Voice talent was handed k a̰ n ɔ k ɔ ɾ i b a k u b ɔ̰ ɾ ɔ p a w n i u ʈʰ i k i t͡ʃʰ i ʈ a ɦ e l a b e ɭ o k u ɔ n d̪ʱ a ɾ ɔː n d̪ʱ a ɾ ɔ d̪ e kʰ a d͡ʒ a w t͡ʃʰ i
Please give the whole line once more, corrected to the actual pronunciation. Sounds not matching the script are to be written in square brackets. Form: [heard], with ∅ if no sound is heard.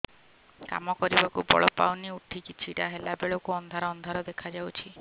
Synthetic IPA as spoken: k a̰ [m] ɔ k ɔ ɾ i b a k u b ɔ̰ [ɭ] ɔ p a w n i u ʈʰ i k i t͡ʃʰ i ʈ a ɦ e l a b e ɭ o k u ɔ n d̪ʱ a ɾ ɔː n d̪ʱ a ɾ ɔ d̪ e kʰ a d͡ʒ a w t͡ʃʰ i